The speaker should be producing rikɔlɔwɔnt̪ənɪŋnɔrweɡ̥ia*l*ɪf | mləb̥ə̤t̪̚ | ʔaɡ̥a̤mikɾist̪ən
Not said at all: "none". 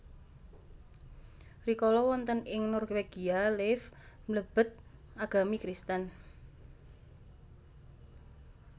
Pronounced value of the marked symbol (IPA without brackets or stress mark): l